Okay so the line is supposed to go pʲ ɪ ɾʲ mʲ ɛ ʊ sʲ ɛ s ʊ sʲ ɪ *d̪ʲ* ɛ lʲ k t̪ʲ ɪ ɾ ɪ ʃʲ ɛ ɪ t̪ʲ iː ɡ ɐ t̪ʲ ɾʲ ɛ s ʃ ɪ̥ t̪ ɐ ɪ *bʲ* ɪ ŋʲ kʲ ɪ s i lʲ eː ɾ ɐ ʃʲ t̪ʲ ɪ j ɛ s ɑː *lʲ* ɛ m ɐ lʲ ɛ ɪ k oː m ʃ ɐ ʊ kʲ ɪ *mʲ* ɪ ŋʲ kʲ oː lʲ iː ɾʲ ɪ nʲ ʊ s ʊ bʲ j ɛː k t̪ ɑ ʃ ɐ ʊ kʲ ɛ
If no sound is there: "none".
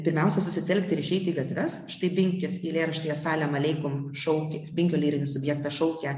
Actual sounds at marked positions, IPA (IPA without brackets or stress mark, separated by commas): t̪ʲ, bʲ, lʲ, bʲ